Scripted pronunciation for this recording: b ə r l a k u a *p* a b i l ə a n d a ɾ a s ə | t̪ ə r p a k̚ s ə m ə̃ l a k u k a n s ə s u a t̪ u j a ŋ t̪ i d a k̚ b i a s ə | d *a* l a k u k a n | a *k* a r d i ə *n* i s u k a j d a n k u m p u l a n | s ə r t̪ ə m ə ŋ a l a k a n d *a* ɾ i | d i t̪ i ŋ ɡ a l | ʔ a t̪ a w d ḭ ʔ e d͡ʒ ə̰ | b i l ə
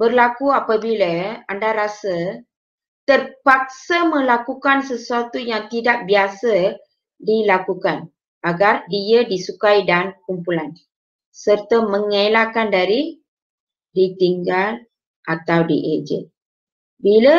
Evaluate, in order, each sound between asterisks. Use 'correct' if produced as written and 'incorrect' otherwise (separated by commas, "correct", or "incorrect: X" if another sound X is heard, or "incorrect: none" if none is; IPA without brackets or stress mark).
correct, incorrect: i, incorrect: ɡ, incorrect: d, correct